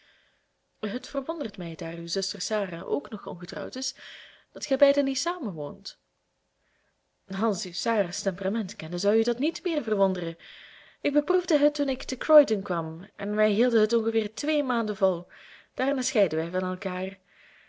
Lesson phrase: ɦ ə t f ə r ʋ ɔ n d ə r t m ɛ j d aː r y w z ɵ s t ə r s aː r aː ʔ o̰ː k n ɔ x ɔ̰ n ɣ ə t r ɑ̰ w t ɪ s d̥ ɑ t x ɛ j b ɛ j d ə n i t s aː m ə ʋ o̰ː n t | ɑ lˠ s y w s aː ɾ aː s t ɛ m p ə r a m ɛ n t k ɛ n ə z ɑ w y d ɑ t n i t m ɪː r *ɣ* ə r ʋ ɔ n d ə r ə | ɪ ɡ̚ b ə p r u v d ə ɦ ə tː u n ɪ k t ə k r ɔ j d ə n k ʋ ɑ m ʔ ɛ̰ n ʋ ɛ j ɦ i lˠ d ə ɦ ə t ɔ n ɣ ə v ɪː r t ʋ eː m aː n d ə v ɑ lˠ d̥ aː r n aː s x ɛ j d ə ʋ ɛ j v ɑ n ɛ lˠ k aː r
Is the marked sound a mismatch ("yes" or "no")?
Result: yes